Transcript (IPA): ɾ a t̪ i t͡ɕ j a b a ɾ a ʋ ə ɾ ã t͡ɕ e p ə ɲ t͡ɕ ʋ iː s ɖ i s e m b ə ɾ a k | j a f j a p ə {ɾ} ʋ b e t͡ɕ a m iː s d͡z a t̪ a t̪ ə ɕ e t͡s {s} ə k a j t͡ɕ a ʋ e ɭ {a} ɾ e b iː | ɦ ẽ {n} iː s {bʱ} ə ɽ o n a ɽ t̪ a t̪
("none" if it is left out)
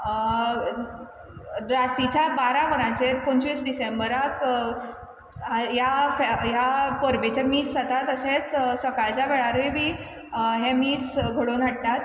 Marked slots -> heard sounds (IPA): ɾ, s, a, m, ɡʱ

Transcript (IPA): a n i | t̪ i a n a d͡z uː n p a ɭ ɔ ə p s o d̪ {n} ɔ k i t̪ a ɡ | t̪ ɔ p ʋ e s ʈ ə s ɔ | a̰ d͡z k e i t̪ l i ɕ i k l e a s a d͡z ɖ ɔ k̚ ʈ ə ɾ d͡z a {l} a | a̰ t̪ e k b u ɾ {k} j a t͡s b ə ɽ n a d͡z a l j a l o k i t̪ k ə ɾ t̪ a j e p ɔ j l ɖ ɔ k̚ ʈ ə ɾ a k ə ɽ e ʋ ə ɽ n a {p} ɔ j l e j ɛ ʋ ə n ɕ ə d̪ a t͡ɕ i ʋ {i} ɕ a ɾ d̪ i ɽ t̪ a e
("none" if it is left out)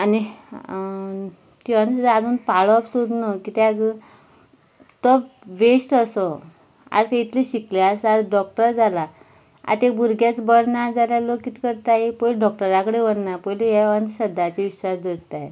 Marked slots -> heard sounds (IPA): n, l, ɡ, p, i

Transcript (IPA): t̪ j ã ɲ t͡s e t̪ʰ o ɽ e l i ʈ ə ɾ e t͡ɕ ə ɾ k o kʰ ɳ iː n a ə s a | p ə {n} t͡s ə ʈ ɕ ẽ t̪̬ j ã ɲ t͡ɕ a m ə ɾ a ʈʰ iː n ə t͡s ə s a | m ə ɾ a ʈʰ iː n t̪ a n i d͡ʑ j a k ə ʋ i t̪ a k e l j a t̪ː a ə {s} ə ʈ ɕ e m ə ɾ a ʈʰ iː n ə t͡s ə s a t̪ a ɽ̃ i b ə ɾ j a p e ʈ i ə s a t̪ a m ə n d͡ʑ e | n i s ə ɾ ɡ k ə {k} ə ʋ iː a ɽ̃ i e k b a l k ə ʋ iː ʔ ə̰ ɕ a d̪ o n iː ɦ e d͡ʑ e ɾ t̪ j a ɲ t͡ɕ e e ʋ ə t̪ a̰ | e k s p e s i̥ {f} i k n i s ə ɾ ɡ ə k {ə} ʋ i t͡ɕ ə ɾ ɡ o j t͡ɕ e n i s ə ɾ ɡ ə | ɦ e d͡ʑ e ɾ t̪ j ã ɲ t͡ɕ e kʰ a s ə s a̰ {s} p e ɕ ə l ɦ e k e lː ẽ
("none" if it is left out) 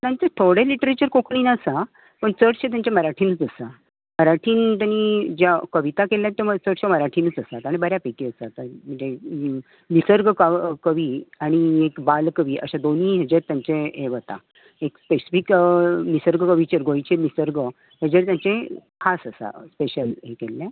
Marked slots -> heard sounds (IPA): ɳ, t͡s, k, f, ə, s

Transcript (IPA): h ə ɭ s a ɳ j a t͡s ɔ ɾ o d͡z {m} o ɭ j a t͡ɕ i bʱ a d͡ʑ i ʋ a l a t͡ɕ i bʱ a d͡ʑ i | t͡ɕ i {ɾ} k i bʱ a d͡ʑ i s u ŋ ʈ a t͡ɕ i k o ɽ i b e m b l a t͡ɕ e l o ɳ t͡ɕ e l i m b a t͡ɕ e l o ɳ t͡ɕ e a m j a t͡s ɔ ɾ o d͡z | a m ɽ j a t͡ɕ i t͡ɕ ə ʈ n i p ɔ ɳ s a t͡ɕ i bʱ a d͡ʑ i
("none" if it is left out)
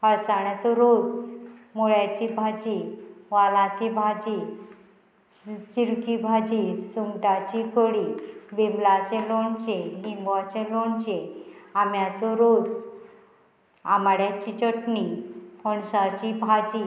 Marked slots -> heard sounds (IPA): m, ɾ

